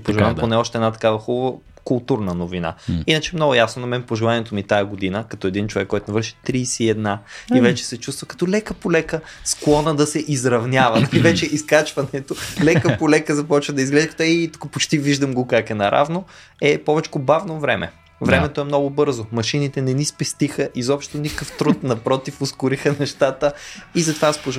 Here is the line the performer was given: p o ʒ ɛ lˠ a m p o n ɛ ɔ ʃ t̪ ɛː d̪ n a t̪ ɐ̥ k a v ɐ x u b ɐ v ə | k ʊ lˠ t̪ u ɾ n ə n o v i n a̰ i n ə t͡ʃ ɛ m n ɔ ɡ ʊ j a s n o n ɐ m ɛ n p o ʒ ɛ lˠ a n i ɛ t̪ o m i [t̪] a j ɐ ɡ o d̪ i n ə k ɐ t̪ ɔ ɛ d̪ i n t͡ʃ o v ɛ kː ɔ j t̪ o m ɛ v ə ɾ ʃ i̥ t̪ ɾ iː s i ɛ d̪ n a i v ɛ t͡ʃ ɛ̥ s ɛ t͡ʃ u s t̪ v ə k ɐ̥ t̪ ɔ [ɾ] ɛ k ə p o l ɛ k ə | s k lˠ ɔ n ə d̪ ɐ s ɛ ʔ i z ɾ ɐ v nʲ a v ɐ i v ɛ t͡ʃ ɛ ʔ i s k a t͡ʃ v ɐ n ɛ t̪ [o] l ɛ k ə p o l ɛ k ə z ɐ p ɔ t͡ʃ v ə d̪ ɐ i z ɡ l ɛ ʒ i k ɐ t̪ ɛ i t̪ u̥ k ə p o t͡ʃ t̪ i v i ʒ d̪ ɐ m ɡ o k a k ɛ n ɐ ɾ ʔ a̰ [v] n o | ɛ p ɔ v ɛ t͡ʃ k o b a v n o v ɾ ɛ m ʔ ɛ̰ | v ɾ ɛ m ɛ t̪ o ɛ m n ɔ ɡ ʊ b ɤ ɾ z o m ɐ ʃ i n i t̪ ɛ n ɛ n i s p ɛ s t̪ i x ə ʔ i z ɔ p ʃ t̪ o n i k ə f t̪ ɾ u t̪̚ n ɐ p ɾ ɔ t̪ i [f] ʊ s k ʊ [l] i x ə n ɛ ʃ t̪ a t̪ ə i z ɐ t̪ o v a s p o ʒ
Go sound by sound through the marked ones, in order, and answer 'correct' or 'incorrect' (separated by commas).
correct, incorrect, correct, correct, correct, incorrect